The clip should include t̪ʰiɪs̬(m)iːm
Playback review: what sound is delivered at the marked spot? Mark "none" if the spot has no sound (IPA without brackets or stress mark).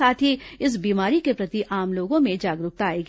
b